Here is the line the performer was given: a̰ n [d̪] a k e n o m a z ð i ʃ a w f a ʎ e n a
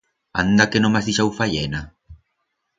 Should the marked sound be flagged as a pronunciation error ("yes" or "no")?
no